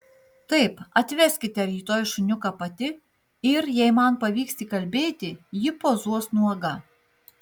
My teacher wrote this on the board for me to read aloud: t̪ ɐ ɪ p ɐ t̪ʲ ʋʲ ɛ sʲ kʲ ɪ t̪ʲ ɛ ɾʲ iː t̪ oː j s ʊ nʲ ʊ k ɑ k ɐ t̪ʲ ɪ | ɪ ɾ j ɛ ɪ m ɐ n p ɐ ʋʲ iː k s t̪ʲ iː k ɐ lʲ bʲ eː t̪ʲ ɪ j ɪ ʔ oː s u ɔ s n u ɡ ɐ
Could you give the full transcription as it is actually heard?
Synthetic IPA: t̪ ɐ ɪ p ɐ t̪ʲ ʋʲ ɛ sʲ kʲ ɪ t̪ʲ ɛ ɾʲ iː t̪ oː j ʃ ʊ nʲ ʊ k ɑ p ɐ t̪ʲ ɪ | ɪ ɾ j ɛ ɪ m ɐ n p ɐ ʋʲ iː k s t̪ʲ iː k ɐ lʲ bʲ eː t̪ʲ ɪ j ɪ p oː z u ɔ s n u ɡ ɐ

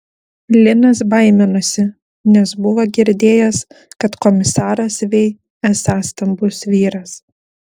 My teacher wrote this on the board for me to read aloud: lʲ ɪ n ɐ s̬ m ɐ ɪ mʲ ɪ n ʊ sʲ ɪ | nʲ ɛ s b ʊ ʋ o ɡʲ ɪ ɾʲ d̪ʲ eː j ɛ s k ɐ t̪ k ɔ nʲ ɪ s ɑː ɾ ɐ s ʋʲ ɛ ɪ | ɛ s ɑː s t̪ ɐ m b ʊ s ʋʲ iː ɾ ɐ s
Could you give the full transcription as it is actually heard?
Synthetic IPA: lʲ ɪ n ɐ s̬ b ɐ ɪ mʲ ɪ n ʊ sʲ ɪ | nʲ ɛ s b ʊ ʋ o ɡʲ ɪ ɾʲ d̪ʲ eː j ɛ s k ɐ t̪ k ɔ mʲ ɪ s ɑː ɾ ɐ s ʋʲ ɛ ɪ | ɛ s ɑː s t̪ ɐ m b ʊ s ʋʲ iː ɾ ɐ s

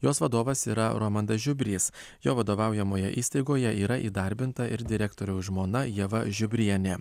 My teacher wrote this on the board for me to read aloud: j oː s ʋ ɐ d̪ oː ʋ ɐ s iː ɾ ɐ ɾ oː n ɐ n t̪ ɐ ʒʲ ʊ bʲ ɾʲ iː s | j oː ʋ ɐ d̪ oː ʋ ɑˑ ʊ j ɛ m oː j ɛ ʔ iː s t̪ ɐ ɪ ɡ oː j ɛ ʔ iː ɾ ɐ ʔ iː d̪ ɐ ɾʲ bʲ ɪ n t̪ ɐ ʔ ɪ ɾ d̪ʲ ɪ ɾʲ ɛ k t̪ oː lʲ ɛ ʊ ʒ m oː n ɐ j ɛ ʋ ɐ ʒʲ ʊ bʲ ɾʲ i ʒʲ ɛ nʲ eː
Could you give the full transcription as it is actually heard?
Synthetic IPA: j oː s ʋ ɐ d̪ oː ʋ ɐ s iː ɾ ɐ ɾ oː m ɐ n d̪ ɐ ʒʲ ʊ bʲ ɾʲ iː s | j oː ʋ ɐ d̪ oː ʋ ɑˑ ʊ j ɛ m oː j ɛ ʔ iː s t̪ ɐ ɪ ɡ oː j ɛ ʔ iː ɾ ɐ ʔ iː d̪ ɐ ɾʲ bʲ ɪ n t̪ ɐ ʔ ɪ ɾ d̪ʲ ɪ ɾʲ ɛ k t̪ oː ɾʲ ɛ ʊ ʒ m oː n ɐ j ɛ ʋ ɐ ʒʲ ʊ bʲ ɾʲ i ɛ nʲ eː

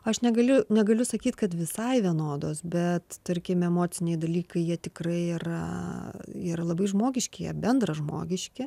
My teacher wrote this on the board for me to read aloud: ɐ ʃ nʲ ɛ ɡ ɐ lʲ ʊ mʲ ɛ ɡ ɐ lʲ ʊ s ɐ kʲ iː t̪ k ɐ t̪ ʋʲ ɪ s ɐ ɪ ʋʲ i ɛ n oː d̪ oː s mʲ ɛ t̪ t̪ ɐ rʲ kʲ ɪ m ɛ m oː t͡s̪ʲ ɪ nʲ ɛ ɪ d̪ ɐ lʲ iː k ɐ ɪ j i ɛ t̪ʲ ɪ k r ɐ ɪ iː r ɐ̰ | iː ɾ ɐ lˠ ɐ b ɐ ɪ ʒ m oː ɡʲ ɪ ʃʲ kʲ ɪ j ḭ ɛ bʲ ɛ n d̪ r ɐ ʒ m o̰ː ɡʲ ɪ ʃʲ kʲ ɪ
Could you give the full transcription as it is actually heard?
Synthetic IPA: ɐ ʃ nʲ ɛ ɡ ɐ lʲ ʊ nʲ ɛ ɡ ɐ lʲ ʊ s ɐ kʲ iː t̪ k ɐ t̪ ʋʲ ɪ s ɐ ɪ ʋʲ i ɛ n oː d̪ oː s bʲ ɛ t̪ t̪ ɐ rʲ kʲ ɪ m ɛ m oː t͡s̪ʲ ɪ nʲ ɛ ɪ d̪ ɐ lʲ iː k ɐ ɪ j i ɛ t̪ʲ ɪ k r ɐ ɪ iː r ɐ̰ | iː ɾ ɐ lˠ ɐ b ɐ ɪ ʒ m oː ɡʲ ɪ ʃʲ kʲ ɪ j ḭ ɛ bʲ ɛ n d̪ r ɐ ʒ m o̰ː ɡʲ ɪ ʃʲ kʲ ɪ

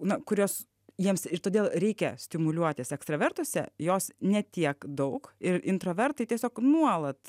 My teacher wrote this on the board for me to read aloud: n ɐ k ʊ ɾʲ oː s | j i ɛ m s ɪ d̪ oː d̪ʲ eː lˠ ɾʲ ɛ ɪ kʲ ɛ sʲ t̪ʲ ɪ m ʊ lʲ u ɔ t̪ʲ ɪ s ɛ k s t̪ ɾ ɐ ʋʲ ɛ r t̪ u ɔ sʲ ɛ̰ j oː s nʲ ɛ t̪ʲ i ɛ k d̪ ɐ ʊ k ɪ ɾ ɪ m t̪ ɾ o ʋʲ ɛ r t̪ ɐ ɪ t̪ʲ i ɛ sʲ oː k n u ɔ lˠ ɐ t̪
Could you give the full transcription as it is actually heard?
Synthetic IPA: n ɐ k ʊ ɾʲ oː s | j i ɛ m s ɪ t̪ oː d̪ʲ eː lˠ ɾʲ ɛ ɪ kʲ ɛ sʲ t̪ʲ ɪ m ʊ lʲ u ɔ t̪ʲ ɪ s ɛ k s t̪ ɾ ɐ ʋʲ ɛ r t̪ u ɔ sʲ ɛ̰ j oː s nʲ ɛ t̪ʲ i ɛ k d̪ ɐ ʊ k ɪ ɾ ɪ n t̪ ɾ o ʋʲ ɛ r t̪ ɐ ɪ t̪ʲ i ɛ sʲ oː k n u ɔ lˠ ɐ t̪

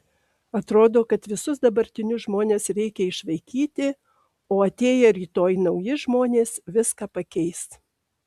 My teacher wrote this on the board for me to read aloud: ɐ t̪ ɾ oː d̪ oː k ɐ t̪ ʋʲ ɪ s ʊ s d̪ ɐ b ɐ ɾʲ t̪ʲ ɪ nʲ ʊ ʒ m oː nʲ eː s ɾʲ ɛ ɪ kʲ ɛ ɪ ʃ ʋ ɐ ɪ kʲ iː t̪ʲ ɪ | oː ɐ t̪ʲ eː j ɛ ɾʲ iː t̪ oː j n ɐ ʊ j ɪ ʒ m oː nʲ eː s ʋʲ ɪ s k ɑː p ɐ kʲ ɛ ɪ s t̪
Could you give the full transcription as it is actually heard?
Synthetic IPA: ɐ t̪ ɾ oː d̪ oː k ɐ t̪ ʋʲ ɪ s ʊ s d̪ ɐ b ɐ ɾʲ t̪ʲ ɪ nʲ ʊ ʒ m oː nʲ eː s ɾʲ ɛ ɪ kʲ ɛ ɪ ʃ ʋ ɐ ɪ kʲ iː t̪ʲ ɪ | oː ɐ t̪ʲ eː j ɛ ɾʲ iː t̪ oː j n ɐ ʊ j ɪ ʒ m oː nʲ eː s ʋʲ ɪ s k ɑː p ɐ kʲ ɛ ɪ s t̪

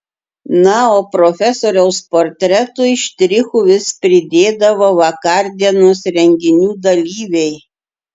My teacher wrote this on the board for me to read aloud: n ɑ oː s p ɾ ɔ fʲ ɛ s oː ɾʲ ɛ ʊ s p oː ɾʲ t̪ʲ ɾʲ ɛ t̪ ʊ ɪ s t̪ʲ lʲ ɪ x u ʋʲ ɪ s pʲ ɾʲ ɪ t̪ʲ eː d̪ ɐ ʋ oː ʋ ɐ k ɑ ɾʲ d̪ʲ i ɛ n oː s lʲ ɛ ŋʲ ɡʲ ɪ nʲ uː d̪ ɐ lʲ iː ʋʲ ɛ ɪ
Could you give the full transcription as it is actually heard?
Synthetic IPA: n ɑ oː p ɾ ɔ fʲ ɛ s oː ɾʲ ɛ ʊ s p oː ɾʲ t̪ʲ ɾʲ ɛ t̪ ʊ ɪ ʃ t̪ʲ ɾʲ ɪ x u ʋʲ ɪ s pʲ ɾʲ ɪ d̪ʲ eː d̪ ɐ ʋ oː ʋ ɐ k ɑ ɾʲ d̪ʲ i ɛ n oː s ɾʲ ɛ ŋʲ ɡʲ ɪ nʲ uː d̪ ɐ lʲ iː ʋʲ ɛ ɪ

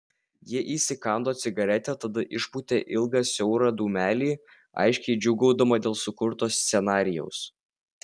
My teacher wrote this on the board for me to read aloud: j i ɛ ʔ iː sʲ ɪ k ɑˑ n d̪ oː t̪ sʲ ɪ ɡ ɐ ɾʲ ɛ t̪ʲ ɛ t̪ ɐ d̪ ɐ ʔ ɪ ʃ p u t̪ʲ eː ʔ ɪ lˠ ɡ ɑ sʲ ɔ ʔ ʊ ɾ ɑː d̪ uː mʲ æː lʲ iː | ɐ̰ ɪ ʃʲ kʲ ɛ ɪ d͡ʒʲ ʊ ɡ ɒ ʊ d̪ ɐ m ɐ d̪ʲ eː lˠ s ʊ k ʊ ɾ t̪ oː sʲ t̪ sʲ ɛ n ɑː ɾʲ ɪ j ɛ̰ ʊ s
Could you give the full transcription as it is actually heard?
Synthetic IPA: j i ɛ ʔ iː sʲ ɪ k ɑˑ n d̪ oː t̪ sʲ ɪ ɡ ɐ ɾʲ ɛ t̪ʲ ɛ t̪ ɐ d̪ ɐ ʔ ɪ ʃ p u t̪ʲ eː ʔ ɪ lˠ ɡ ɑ sʲ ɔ ʊ ɾ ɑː d̪ uː mʲ æː lʲ iː | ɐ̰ ɪ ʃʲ kʲ ɛ ɪ d͡ʒʲ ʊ ɡ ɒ ʊ d̪ ɐ m ɐ d̪ʲ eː lˠ s ʊ k ʊ ɾ t̪ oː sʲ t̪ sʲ ɛ n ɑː ɾʲ ɪ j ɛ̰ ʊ s

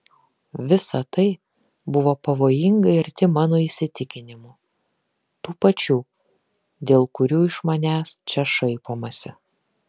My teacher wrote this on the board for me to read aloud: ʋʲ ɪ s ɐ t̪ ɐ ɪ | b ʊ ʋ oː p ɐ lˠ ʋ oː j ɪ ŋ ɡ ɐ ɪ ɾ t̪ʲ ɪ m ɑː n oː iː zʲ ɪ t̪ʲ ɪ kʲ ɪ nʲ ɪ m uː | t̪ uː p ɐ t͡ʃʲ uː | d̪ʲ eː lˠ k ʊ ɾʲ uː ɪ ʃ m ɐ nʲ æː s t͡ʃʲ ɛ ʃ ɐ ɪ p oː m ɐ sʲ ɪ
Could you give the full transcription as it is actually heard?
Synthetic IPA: ʋʲ ɪ s ɐ t̪ ɐ ɪ | b ʊ ʋ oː p ɐ ʋ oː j ɪ ŋ ɡ ɐ ɪ ɾ t̪ʲ ɪ m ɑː n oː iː sʲ ɪ t̪ʲ ɪ kʲ ɪ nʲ ɪ m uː | t̪ uː p ɐ t͡ʃʲ uː | d̪ʲ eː lˠ k ʊ ɾʲ uː ɪ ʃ m ɐ nʲ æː s t͡ʃʲ ɛ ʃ ɐ ɪ p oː m ɐ sʲ ɪ

